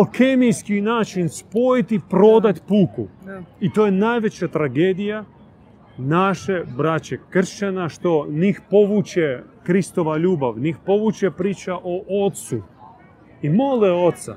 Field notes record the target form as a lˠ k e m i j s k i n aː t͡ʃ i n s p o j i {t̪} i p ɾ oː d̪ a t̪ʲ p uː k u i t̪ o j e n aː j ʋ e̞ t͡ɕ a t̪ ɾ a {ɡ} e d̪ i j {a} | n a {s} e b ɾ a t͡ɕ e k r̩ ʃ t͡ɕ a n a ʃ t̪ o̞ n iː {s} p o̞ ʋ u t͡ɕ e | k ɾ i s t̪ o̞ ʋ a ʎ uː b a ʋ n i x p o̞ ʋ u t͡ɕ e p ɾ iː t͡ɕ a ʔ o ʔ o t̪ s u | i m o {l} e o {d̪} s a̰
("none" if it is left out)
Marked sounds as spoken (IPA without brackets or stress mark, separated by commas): t̪, ɡ, a, ʃ, x, l, t̪